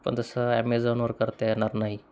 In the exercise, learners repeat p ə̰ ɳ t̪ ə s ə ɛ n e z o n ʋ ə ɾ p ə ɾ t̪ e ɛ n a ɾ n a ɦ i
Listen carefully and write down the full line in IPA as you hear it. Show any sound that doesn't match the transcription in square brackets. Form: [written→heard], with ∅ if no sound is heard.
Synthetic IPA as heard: p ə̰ ɳ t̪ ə s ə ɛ [n→m] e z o n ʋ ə ɾ [p→k] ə ɾ t̪ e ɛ n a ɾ n a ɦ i